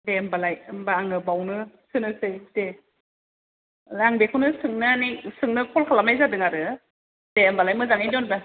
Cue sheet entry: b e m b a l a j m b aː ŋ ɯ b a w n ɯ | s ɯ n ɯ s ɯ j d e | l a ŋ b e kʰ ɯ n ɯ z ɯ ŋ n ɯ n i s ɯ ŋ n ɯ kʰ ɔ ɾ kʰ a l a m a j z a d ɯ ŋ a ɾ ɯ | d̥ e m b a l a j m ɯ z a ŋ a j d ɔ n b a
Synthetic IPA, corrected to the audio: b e m b a l a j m b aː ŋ ɯ b a w n ɯ | s ɯ n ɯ s ɯ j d e | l a ŋ b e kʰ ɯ n ɯ s ɯ ŋ n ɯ n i s ɯ ŋ n ɯ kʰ ɔ l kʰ a l a m a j z a d ɯ ŋ a ɾ ɯ | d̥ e m b a l a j m ɯ z a ŋ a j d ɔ n b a

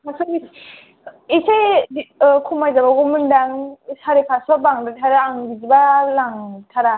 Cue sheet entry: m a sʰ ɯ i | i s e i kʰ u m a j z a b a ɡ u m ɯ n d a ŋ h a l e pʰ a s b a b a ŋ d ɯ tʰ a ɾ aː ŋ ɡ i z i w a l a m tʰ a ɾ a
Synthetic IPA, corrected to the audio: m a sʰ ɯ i | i s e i kʰ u m a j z a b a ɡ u m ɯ n d a ŋ s a ɾ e pʰ a s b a b a ŋ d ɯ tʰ a ɾ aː ŋ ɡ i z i b a l a ŋ tʰ a ɾ a

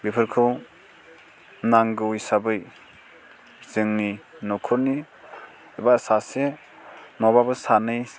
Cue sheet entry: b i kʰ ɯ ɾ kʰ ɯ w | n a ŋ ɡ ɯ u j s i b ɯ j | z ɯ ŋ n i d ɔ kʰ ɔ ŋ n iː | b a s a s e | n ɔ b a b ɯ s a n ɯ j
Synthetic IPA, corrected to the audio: b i pʰ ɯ ɾ kʰ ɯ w | n a ŋ ɡ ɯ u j s a b ɯ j | z ɯ ŋ n i n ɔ kʰ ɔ n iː | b a s a s e | n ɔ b a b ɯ s a n ɯ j

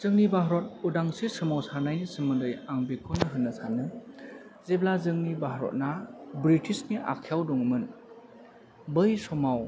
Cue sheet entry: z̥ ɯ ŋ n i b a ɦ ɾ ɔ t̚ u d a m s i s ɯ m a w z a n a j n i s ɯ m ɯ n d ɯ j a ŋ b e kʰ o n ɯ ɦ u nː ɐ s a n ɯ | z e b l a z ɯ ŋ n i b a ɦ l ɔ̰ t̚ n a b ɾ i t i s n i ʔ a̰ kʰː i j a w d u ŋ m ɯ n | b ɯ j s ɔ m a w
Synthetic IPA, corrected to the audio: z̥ ɯ ŋ n i b a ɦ ɾ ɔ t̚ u d a ŋ s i s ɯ m a w s a n a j n i s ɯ m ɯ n d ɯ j a ŋ b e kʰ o n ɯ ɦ ɯ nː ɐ s a n ɯ | z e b l a z ɯ ŋ n i b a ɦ ɾ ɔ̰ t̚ n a b ɾ i t i s n i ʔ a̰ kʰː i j a w d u ŋ m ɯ n | b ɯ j s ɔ m a w

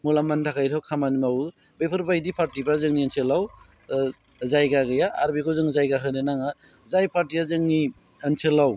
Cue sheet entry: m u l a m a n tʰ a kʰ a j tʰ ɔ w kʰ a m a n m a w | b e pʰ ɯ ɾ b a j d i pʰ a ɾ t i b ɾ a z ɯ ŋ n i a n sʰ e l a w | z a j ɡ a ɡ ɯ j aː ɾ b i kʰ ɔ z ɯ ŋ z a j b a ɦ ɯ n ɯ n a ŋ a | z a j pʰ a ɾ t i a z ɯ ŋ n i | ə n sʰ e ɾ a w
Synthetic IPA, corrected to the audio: m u l a m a n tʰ a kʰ a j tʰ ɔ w kʰ a m a n m a w | b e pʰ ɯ ɾ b a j d i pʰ a ɾ t i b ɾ a z ɯ ŋ n i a n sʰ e l a w | z a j ɡ a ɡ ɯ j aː ɾ b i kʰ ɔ z ɯ ŋ z a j ɡ a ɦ ɯ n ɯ n a ŋ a | z a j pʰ a ɾ t i a z ɯ ŋ n i | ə n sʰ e l a w

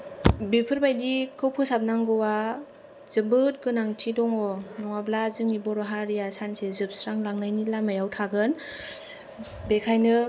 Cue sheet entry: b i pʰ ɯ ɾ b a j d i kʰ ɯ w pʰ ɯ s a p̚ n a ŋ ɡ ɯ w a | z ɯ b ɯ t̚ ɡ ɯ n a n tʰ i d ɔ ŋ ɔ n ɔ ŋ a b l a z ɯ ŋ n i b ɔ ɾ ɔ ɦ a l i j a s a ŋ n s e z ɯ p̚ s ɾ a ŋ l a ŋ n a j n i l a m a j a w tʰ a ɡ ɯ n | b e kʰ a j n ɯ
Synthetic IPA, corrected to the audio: b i pʰ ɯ ɾ b a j d i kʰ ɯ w pʰ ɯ s a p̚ n a ŋ ɡ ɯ w a | z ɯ b ɯ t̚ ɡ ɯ n a ŋ tʰ i d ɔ ŋ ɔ n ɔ ŋ a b l a z ɯ ŋ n i b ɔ ɾ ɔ ɦ a ɾ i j a s a n s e z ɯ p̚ s ɾ a ŋ l a ŋ n a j n i l a m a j a w tʰ a ɡ ɯ n | b e kʰ a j n ɯ

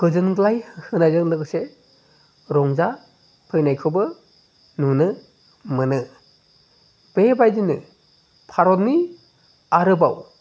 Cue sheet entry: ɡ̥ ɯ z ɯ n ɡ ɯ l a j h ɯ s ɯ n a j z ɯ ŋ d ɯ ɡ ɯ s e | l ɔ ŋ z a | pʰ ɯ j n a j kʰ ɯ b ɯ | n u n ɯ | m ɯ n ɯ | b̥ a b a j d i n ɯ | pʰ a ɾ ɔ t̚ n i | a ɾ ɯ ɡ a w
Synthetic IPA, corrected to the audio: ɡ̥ ɯ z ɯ n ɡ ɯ l a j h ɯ h ɯ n a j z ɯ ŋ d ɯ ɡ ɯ s e | ɾ ɔ ŋ z a | pʰ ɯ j n a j kʰ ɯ b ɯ | n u n ɯ | m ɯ n ɯ | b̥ e b a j d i n ɯ | pʰ a ɾ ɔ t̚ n i | a ɾ ɯ b a w

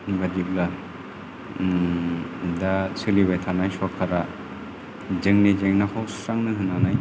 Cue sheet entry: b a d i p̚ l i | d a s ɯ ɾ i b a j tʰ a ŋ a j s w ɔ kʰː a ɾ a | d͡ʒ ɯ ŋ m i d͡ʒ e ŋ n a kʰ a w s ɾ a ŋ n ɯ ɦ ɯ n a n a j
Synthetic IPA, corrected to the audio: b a d i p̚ l a | d a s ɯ l i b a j tʰ a n a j s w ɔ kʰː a ɾ a | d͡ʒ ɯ ŋ n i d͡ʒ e ŋ n a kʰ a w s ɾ a ŋ n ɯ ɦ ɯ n a n a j

